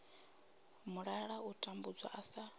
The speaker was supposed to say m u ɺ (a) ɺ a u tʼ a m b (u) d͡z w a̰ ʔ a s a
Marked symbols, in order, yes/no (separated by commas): yes, yes